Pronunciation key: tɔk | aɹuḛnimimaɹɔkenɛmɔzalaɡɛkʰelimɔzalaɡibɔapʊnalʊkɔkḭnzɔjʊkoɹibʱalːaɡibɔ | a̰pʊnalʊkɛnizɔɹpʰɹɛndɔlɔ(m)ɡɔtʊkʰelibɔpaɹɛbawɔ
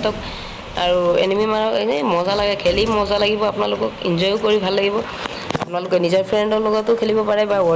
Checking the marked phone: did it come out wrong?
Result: yes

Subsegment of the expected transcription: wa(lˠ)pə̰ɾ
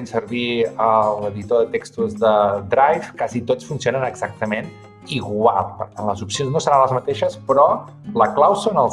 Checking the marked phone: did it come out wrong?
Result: no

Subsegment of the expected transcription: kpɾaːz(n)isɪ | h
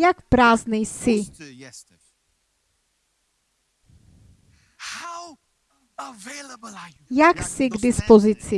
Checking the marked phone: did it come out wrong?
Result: no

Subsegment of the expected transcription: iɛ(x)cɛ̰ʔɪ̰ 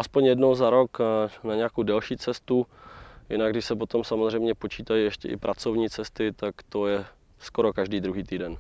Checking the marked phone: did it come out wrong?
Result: yes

